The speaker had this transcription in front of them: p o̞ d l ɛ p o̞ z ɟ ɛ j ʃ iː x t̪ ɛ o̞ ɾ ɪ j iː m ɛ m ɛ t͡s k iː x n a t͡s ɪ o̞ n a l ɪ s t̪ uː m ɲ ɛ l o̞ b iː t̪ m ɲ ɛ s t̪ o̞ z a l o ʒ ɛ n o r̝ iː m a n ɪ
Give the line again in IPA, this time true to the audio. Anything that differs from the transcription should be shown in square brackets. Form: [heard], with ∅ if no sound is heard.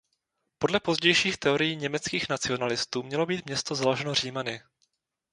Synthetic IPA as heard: p o̞ d l ɛ p o̞ z ɟ ɛ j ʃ iː x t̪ ɛ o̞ ɾ ɪ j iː [ɲ] ɛ m ɛ t͡s k iː x n a t͡s ɪ o̞ n a l ɪ s t̪ uː m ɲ ɛ l o̞ b iː t̪ m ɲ ɛ s t̪ o̞ z a l o ʒ ɛ n o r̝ iː m a n ɪ